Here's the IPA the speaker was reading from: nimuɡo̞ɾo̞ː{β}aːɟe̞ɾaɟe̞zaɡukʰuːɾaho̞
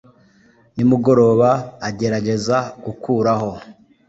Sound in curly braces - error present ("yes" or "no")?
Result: no